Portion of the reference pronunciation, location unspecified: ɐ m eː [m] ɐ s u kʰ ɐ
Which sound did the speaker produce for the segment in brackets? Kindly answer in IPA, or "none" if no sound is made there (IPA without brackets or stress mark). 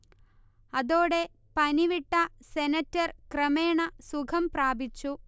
ɳ